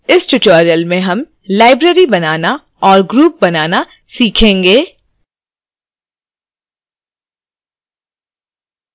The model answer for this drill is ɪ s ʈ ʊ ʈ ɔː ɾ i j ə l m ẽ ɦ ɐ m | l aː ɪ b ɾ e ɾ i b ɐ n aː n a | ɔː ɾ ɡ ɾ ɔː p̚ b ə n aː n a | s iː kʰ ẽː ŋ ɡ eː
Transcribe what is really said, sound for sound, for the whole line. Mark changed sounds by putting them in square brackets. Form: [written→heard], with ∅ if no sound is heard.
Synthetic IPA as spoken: ɪ s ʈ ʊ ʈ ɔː ɾ i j ə l m ẽ ɦ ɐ m | l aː ɪ b ɾ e ɾ i b ɐ n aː n a | ɔː ɾ ɡ ɾ [ɔː→uː] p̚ b [ə→ɐ] n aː n a | s iː kʰ ẽː ŋ ɡ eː